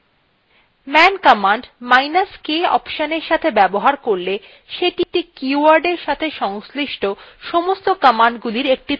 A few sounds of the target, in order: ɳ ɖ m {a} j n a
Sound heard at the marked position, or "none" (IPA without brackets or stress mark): a